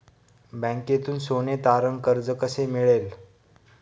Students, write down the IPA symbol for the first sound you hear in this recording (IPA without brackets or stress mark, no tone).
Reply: b